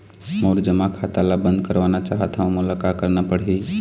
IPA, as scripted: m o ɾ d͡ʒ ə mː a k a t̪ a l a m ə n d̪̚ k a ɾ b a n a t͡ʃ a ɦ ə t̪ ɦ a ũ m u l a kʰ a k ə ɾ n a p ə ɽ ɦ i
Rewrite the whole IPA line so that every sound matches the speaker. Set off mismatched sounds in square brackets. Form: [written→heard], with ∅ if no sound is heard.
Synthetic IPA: m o ɾ d͡ʒ ə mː a [k→kʰ] a t̪ a l a [m→b] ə n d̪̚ k [a→ə] ɾ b a n a t͡ʃ a ɦ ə t̪ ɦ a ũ m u l a [kʰ→k] a k ə ɾ n a p ə ɽ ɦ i